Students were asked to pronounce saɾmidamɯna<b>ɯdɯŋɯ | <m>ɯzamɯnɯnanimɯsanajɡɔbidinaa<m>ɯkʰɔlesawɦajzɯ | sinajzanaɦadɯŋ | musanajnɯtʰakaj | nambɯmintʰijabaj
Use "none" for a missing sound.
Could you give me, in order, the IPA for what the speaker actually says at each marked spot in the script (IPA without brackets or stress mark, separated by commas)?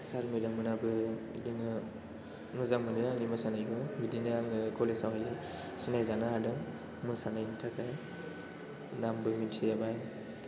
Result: b, ŋ, ŋ